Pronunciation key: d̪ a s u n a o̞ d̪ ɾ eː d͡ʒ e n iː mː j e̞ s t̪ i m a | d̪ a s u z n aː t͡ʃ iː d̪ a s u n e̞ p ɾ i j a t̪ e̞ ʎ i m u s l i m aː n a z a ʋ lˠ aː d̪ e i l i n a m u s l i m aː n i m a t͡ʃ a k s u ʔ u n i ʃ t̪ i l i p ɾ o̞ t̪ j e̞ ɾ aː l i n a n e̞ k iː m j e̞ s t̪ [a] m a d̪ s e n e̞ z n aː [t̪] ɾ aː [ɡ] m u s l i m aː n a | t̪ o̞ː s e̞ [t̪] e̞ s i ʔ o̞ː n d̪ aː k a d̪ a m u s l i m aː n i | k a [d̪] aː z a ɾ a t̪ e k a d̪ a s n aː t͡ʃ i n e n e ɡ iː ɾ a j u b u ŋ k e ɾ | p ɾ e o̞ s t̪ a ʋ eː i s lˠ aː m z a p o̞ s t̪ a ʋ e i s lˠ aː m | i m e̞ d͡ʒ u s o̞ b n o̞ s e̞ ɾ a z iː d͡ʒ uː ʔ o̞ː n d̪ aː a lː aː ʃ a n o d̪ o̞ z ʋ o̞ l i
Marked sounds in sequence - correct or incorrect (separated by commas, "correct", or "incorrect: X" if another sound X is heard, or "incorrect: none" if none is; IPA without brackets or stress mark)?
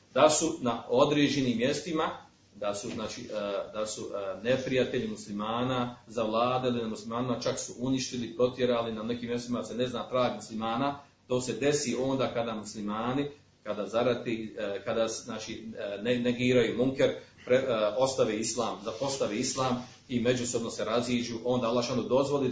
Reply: incorrect: i, correct, correct, incorrect: d̪, correct